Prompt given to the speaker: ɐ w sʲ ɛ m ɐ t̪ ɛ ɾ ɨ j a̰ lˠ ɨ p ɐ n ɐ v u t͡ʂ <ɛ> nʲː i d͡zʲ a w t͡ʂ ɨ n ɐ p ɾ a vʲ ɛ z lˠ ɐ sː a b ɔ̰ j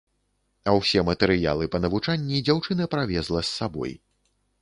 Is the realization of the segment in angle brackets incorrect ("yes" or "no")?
yes